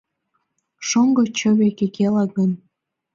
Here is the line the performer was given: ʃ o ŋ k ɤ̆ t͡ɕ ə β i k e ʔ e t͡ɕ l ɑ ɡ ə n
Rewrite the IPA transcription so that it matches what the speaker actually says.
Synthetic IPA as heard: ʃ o ŋ ɡ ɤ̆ t͡ɕ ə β e k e k e l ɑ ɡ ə n